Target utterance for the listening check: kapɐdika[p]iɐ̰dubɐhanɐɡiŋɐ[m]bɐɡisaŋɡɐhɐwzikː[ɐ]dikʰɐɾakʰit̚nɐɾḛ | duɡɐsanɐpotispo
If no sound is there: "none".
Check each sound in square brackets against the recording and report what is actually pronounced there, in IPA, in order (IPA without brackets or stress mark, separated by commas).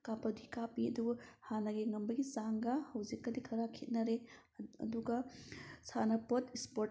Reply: p, m, ɐ